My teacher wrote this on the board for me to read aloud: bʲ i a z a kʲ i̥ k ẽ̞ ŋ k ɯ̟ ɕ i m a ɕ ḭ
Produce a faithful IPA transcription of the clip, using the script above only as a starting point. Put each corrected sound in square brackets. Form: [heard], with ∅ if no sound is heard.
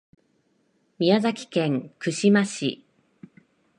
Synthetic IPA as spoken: [mʲ] i a z a kʲ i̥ k ẽ̞ ŋ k ɯ̟ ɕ i m a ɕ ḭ